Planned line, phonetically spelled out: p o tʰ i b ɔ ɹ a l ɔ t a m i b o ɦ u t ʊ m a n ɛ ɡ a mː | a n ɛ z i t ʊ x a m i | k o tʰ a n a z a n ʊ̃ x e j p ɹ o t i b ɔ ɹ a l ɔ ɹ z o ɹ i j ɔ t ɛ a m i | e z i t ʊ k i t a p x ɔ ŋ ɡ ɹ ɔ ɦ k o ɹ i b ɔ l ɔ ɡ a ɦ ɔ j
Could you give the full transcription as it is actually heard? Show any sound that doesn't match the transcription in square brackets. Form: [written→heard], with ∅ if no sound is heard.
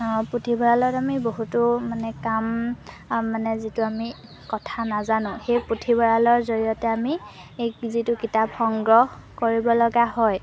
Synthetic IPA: p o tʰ i b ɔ ɹ a l ɔ t a m i b o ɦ u t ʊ m a n ɛ [ɡ→k] a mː | a n ɛ z i t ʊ [x→∅] a m i | k [o→ɔ] tʰ a n a z a n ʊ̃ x e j p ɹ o [t→tʰ] i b ɔ ɹ a l ɔ ɹ z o ɹ i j ɔ t ɛ a m i | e z i t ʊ k i t a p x ɔ ŋ ɡ ɹ ɔ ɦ k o ɹ i b ɔ l ɔ ɡ a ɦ ɔ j